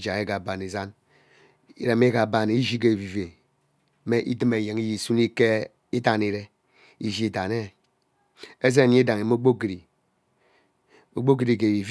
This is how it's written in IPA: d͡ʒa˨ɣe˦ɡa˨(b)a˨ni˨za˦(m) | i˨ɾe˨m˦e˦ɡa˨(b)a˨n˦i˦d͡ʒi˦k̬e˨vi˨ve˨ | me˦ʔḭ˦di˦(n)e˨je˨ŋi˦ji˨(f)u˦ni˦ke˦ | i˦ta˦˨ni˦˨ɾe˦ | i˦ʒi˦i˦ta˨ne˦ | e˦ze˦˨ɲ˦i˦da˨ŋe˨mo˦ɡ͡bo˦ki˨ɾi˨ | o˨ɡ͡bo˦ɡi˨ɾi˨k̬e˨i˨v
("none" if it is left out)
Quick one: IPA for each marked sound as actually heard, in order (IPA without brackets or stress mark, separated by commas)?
b, n, b, m, s